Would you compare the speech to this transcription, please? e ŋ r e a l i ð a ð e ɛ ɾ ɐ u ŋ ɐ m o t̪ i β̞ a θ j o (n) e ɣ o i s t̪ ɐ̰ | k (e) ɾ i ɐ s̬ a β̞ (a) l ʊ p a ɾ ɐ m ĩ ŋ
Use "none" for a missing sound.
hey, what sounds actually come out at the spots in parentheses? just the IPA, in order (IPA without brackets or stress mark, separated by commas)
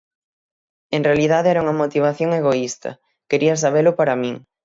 ŋ, e, e